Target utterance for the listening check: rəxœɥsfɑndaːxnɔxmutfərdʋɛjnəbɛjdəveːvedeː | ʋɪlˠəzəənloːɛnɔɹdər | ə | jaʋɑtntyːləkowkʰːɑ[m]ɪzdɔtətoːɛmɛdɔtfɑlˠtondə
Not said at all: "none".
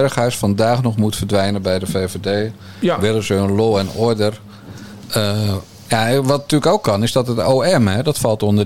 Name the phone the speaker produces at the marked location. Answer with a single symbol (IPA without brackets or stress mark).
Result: n